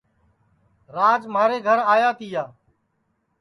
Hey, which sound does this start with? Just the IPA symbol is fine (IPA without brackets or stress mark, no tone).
ɾ